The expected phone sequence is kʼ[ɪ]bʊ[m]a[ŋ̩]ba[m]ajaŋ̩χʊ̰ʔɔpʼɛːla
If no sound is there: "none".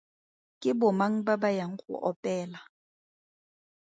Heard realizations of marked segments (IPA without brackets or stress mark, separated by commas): ɪ, m, ŋ̩, b